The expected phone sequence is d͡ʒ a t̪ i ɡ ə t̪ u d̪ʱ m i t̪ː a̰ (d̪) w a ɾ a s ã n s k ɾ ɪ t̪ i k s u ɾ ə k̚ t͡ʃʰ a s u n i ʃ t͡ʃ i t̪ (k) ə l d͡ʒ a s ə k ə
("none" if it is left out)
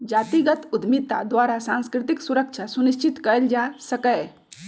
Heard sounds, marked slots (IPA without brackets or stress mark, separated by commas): d̪, k